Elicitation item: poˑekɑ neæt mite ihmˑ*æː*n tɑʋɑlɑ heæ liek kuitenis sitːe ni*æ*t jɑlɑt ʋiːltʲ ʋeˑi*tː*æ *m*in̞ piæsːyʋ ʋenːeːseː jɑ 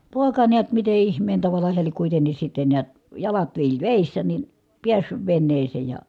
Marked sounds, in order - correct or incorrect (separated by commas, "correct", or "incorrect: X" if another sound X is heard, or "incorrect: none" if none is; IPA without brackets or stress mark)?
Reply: incorrect: eː, correct, incorrect: sː, incorrect: n